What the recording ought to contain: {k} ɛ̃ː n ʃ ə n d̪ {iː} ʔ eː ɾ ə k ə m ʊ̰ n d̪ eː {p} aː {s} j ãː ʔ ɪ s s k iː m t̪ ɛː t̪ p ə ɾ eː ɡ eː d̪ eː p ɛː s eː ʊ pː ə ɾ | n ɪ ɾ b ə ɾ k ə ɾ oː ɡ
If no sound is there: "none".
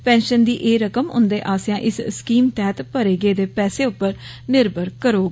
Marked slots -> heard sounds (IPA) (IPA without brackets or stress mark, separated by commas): p, iː, ʔ, s